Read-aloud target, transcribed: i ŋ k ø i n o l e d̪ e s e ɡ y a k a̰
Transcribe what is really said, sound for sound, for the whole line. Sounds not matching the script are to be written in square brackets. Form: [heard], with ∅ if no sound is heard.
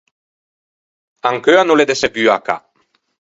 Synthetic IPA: [a] ŋ k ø [a] n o l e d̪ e s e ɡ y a k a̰